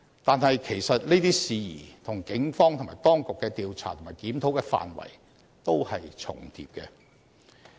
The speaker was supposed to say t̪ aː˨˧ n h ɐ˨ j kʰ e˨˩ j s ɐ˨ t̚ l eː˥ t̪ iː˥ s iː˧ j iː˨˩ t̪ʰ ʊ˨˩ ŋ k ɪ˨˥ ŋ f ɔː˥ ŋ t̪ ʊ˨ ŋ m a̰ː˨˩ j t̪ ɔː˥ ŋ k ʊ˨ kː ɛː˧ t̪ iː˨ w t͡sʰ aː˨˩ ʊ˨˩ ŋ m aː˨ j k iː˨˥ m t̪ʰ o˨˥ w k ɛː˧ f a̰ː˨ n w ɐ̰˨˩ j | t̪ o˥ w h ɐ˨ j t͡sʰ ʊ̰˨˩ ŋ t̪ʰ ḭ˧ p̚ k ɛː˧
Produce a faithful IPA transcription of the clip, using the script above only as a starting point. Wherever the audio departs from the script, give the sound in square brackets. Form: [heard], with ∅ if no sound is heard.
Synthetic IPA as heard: t̪ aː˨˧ n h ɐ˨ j kʰ e˨˩ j s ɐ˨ t̚ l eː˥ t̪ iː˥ s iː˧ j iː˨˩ t̪ʰ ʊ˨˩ ŋ k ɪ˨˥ ŋ f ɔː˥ ŋ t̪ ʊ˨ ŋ m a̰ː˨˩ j t̪ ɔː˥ ŋ k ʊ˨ kː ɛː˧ t̪ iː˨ w t͡sʰ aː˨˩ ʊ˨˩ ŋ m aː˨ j k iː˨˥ m t̪ʰ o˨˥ w k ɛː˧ f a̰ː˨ n w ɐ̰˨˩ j | t̪ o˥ w h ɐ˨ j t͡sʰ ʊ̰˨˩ ŋ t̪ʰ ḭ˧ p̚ k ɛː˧